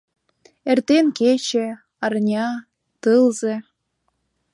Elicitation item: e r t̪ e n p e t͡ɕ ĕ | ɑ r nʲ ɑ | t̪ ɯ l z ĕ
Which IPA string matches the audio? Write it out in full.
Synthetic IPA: e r t̪ e n k e t͡ɕ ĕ | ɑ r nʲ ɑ | t̪ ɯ l z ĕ

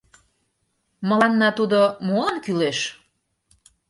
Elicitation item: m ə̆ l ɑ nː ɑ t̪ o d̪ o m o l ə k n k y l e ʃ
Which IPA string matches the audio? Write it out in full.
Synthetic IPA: m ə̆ l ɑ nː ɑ t̪ u d̪ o m o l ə n k y l e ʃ

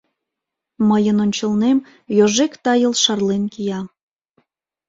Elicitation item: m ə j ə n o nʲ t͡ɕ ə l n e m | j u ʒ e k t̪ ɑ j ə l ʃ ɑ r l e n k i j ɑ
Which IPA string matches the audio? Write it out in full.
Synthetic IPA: m ə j ə n o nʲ t͡ɕ ə l n e m | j o ʒ e k t̪ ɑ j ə l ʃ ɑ r l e n k i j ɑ

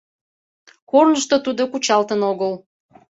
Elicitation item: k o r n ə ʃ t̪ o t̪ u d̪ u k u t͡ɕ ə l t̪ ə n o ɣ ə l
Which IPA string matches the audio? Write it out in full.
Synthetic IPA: k o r n ə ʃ t̪ o t̪ u d̪ o k u t͡ɕ ɑ l t̪ ə n o ɣ ə l

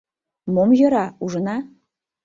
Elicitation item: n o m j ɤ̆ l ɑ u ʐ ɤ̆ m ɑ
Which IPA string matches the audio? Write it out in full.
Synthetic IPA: m o m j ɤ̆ ɾ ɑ u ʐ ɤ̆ n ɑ

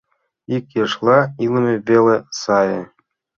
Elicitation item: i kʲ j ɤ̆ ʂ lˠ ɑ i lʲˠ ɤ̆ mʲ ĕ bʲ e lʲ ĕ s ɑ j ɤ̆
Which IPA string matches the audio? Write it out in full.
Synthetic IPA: i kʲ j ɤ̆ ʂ lˠ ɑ i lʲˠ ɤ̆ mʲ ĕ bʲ e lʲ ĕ s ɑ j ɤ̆

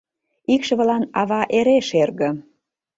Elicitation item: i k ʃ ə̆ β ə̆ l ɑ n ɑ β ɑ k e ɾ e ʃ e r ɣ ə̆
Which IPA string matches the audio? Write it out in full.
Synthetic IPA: i k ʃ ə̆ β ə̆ l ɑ n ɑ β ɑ ʔ e ɾ e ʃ e r ɣ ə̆

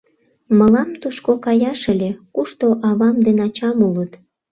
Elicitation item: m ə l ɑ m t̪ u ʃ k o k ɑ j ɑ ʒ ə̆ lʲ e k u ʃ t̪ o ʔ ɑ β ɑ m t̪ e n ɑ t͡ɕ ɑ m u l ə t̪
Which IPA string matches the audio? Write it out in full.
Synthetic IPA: m ə l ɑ m t̪ u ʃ k o k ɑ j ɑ ʃ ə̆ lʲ e k u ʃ t̪ o ʔ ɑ β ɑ m d̪ e n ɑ t͡ɕ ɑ m u l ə t̪

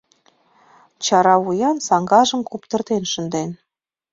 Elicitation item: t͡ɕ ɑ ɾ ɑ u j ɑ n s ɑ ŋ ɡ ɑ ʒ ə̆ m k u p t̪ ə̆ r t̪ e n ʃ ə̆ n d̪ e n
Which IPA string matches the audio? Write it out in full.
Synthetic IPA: t͡ɕ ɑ ɾ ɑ u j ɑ n s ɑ ŋ ɡ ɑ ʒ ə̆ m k u p t̪ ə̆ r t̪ e n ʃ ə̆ n d̪ e n

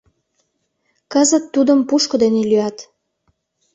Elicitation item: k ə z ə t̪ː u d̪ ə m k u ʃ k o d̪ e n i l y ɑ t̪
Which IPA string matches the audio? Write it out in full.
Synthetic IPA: k ə z ə t̪ː u d̪ ə m p u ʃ k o d̪ e n e l y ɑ t̪

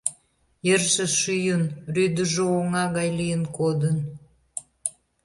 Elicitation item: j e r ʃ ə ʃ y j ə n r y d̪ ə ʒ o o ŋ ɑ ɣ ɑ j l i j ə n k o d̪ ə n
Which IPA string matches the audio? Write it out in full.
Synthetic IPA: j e r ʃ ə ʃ y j ə n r y d̪ ə ʒ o o ŋ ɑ ɣ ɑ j l i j ə n k o d̪ ə n

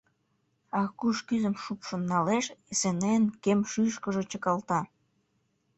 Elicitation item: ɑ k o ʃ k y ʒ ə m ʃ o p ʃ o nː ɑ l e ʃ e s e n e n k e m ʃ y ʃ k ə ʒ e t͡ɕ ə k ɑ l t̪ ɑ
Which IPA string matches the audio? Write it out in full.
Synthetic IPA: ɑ k u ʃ k y z ə m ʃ u p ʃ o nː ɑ l e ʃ e s e n e n k e m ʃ y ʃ k ə ʒ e t͡ɕ ə k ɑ l t̪ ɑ

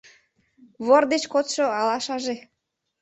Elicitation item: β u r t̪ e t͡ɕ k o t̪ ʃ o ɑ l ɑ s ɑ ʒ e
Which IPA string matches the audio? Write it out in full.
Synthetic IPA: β o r d̪ e t͡ɕ k o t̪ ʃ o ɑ l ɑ ʃ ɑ ʒ e

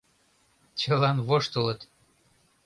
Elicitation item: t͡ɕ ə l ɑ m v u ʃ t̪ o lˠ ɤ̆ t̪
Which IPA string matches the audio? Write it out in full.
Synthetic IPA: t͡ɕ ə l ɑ n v o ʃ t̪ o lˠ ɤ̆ t̪

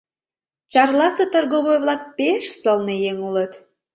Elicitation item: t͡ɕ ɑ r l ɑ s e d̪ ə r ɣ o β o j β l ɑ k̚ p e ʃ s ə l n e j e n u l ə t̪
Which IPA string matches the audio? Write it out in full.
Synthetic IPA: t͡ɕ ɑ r l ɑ s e t̪ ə r ɣ o β o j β l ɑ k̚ p e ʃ s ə l n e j e ŋ u l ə t̪

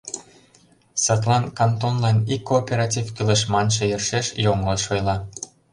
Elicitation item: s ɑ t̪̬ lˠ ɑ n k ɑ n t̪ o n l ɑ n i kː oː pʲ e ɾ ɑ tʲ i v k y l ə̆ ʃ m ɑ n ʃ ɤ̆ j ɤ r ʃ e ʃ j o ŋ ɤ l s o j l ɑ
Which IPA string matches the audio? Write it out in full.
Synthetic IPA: s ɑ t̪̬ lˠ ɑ n k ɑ n t̪ o n l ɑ n i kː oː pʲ e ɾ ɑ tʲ i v k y l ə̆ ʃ m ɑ n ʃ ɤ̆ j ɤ r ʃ e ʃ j o ŋ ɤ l ʃ o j l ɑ

